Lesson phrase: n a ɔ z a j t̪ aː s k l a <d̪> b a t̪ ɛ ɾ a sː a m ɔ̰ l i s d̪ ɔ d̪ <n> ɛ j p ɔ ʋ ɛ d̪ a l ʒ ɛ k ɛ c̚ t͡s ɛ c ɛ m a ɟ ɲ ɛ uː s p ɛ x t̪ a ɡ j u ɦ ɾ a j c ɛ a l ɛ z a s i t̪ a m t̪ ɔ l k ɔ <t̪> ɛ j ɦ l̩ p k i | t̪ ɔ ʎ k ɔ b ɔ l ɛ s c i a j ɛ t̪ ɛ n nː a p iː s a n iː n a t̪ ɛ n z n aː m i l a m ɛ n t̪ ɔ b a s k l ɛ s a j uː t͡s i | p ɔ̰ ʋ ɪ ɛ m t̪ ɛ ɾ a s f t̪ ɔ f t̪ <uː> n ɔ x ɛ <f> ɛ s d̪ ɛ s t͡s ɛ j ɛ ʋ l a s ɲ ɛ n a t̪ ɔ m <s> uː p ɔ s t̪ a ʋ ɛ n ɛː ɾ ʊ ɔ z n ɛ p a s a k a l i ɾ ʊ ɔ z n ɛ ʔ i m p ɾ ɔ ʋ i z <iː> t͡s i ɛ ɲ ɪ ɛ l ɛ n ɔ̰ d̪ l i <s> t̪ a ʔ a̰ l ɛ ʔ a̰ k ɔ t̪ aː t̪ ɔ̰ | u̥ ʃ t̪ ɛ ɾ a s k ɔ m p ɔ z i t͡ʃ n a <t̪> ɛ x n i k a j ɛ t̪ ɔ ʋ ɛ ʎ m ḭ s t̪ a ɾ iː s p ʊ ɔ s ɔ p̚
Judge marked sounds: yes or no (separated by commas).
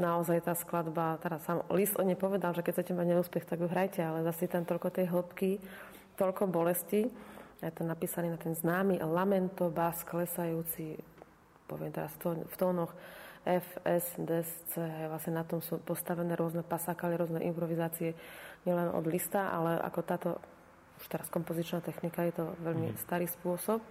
yes, no, yes, no, yes, yes, no, yes, yes